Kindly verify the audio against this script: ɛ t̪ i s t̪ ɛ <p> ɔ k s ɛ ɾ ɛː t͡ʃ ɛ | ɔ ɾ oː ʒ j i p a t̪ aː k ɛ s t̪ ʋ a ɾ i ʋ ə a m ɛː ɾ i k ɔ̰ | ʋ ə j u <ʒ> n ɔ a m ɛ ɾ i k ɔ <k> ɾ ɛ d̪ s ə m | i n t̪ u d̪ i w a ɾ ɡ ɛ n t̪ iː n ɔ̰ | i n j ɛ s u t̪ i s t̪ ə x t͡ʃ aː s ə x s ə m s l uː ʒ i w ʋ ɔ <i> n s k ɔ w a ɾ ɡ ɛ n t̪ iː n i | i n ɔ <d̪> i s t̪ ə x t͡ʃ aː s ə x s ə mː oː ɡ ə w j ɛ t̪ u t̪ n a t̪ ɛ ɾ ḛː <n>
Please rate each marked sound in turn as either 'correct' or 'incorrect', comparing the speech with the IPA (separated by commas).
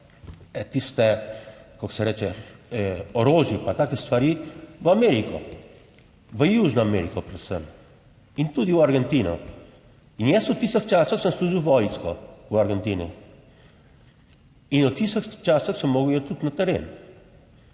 incorrect, correct, incorrect, incorrect, incorrect, correct